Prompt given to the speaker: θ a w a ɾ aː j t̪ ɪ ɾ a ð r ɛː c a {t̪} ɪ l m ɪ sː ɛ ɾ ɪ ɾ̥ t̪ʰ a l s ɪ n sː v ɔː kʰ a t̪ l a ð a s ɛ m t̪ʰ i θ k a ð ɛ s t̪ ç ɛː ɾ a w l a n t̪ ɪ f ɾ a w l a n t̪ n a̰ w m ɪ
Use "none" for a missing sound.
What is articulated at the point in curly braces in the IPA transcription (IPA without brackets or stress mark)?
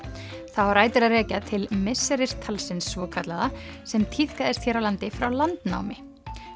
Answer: t̪ʰ